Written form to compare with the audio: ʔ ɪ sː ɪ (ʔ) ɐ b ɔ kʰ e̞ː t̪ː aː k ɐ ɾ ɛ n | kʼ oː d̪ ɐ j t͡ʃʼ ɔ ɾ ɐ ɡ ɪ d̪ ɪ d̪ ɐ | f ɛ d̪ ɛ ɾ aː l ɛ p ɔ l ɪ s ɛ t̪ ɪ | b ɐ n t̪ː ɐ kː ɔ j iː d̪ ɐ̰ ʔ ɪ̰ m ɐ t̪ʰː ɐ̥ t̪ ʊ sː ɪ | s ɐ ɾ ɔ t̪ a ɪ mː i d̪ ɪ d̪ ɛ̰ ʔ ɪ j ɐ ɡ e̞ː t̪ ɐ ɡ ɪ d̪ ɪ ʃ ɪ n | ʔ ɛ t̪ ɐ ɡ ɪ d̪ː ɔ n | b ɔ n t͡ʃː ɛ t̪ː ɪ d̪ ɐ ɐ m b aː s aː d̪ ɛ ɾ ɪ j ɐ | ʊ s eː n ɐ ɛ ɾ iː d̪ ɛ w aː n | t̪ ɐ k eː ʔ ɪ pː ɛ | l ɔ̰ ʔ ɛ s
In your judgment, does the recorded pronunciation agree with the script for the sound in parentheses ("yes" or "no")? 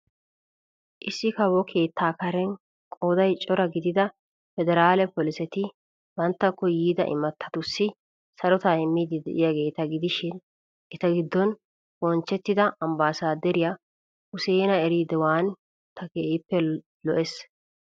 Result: no